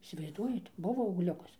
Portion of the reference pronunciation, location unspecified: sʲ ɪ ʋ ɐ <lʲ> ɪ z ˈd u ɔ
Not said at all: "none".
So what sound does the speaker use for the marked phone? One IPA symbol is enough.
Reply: none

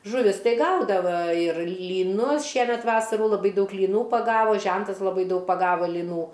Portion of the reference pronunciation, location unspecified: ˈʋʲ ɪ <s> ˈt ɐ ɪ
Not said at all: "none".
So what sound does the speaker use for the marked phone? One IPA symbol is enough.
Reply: s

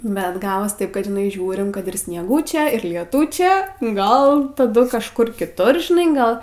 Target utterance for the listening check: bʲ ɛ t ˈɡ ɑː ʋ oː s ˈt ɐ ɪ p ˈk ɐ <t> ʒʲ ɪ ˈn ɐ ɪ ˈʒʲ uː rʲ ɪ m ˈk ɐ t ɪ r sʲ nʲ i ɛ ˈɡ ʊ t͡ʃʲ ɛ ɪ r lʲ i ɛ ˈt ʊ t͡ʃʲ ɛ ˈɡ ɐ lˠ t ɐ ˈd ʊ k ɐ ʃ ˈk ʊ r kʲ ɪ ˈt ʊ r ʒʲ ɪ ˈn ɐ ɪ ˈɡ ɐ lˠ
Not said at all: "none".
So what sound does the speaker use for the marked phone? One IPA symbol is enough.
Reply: t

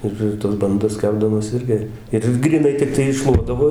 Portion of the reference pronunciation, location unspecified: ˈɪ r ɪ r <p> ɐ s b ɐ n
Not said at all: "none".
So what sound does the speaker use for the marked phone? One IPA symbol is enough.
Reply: t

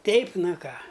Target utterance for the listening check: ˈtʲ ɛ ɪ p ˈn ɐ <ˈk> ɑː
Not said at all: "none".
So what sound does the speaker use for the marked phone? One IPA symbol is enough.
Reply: k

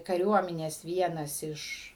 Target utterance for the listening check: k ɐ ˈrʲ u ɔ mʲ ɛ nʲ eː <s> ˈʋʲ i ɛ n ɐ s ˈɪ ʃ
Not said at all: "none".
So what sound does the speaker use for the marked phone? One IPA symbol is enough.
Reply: s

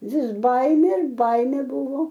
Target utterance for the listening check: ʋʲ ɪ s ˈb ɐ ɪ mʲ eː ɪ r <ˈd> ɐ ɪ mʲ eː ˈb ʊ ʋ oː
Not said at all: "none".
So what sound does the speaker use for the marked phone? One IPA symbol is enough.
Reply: b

